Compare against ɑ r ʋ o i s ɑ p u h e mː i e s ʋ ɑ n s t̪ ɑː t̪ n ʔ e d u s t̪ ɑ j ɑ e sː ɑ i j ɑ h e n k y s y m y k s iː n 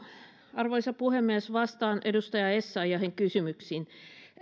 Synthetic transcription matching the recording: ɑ r ʋ o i s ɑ p u h e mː i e s ʋ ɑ s t̪ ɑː n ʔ e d u s t̪ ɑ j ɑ e sː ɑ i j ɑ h e ŋ k y s y m y k s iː n